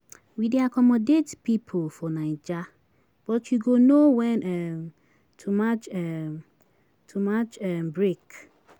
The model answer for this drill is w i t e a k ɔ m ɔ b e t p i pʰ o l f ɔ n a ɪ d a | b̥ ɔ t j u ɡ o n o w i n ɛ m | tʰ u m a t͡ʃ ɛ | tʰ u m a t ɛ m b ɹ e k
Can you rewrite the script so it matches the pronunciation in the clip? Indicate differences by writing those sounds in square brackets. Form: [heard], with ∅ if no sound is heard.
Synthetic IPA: w i [d] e a k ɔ m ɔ [d] e t p i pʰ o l f ɔ n a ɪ [d͡ʒ] a | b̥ ɔ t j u ɡ o n o w [ɛ] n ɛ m | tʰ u m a t͡ʃ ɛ | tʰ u m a [t͡ʃ] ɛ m b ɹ e k

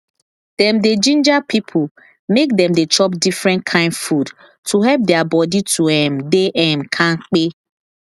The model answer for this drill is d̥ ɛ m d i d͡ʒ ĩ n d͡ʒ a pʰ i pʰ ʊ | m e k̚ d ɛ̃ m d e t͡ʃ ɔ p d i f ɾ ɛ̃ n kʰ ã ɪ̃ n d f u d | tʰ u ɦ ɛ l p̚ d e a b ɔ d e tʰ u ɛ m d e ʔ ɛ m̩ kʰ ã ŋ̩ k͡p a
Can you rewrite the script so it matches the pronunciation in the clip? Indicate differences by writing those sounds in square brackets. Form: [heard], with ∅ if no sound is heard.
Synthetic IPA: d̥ ɛ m d [e] d͡ʒ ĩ n d͡ʒ a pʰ i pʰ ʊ | m e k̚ d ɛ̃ m d e t͡ʃ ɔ p d i f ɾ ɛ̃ n kʰ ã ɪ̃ n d f u d | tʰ u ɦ ɛ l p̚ d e a b ɔ d [i] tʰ u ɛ m d e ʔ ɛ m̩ kʰ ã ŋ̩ k͡p [e]

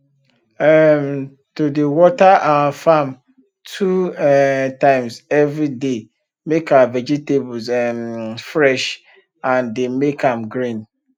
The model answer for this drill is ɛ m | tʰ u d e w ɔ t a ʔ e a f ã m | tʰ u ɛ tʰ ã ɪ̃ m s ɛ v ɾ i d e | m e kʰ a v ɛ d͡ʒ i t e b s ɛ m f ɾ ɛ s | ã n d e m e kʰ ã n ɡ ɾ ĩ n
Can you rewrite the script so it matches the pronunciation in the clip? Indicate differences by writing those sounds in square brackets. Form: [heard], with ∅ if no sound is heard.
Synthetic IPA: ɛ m | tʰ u d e w ɔ t a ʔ [a] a f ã m | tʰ u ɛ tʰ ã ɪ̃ m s ɛ v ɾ i d e | m e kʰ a v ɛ d͡ʒ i t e b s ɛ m f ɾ ɛ [ʃ] | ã n d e m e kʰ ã [m] ɡ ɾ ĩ n

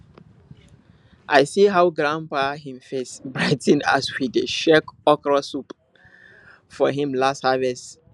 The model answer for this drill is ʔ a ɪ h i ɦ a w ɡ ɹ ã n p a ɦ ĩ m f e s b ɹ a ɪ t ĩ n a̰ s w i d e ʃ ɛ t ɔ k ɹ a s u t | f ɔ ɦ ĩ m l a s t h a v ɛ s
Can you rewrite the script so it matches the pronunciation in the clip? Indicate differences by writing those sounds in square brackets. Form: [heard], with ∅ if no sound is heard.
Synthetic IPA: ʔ a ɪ [s] i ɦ a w ɡ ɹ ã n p a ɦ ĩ m f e s b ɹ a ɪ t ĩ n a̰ s w i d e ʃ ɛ [k] ɔ k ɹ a s u [p] | f ɔ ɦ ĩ m l a s t h a v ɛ s

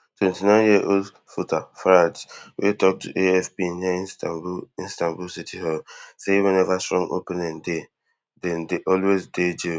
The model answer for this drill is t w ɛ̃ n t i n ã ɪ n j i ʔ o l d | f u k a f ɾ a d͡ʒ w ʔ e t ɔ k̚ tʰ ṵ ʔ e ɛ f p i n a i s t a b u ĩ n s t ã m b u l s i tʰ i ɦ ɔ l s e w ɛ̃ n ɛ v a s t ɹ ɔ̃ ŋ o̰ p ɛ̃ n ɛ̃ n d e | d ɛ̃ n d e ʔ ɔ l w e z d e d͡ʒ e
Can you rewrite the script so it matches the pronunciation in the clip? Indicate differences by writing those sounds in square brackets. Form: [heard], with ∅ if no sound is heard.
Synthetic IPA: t w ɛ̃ n t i n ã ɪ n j i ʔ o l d | f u [t] a f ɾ a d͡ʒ w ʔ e t ɔ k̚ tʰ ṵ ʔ e ɛ f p i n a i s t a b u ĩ n s t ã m b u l s i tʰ i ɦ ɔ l s e w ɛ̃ n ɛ v a s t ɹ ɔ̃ ŋ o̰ p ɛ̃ n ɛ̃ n d e | d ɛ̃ n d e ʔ ɔ l w e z d e d͡ʒ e

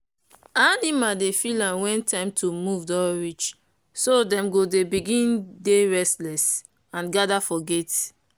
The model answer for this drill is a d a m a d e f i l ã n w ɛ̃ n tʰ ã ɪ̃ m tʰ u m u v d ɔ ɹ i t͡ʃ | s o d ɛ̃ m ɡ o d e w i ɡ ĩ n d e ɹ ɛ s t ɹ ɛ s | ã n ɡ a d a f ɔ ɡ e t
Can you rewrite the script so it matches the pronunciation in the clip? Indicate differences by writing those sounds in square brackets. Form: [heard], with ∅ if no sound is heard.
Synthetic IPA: a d [i] m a d e f i l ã n w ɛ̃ n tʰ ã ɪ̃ m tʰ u m u v d ɔ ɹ i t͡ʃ | s o d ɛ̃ m ɡ o d e [b] i ɡ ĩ n d e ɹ ɛ s t [l] ɛ s | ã n ɡ a d a f ɔ ɡ e t

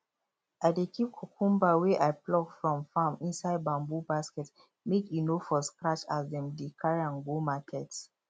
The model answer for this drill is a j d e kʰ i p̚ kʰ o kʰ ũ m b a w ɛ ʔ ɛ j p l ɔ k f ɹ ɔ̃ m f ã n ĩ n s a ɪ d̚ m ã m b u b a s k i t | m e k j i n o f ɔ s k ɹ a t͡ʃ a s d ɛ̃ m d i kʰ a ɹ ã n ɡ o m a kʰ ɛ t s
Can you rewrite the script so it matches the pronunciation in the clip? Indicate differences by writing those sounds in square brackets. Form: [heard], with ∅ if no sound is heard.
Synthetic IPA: a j d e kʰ i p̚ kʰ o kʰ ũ m b a w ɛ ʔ [a] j p l ɔ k f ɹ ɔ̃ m f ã [m] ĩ n s a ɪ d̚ [b] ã m b u b a s k [ɛ] t | m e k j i n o f ɔ s k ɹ a t͡ʃ a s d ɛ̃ m d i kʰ a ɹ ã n ɡ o m a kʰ ɛ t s

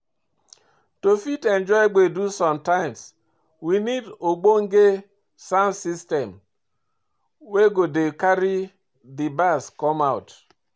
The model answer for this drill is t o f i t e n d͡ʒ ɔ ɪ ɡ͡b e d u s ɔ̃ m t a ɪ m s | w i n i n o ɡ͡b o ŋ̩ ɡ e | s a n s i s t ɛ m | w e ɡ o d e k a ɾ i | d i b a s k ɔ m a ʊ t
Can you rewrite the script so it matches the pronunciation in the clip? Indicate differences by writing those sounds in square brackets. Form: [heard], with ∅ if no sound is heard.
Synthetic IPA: t o f i t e n d͡ʒ ɔ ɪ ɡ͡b e d u s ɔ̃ m t a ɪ m s | w i n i [d] o ɡ͡b o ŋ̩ ɡ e | s a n s i s t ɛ m | w e ɡ o d e k a ɾ i | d i b a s k ɔ m a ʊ t

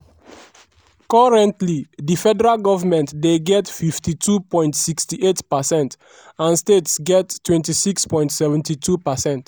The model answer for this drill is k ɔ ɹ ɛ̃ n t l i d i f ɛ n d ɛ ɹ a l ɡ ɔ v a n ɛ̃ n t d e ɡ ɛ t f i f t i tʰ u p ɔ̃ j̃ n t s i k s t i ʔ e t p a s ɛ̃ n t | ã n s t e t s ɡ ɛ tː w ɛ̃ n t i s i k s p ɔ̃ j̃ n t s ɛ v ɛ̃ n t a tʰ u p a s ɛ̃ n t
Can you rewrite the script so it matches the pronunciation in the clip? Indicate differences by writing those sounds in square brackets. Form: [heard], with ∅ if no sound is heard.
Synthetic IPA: k ɔ ɹ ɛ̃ n t l i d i f ɛ [∅] d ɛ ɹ a l ɡ ɔ v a [m] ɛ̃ n t d e ɡ ɛ t f i f t i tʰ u p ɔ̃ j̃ n t s i k s t i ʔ e t p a s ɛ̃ n t | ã n s t e t s ɡ ɛ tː w ɛ̃ n t i s i k s p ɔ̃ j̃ n t s ɛ v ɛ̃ n t [i] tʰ u p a s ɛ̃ n t

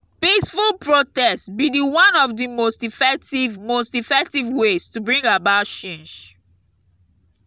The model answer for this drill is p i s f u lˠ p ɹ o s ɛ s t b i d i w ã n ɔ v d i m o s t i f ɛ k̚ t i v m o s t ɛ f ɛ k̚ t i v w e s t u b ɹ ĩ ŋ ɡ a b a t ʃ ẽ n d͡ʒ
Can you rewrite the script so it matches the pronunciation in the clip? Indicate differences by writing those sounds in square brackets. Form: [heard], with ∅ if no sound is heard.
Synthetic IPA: p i s f u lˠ p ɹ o [t] ɛ s t b i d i w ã n ɔ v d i m o s t i f ɛ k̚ t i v m o s t [i] f ɛ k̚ t i v w e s t u b ɹ ĩ ŋ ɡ a b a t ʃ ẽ n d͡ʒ

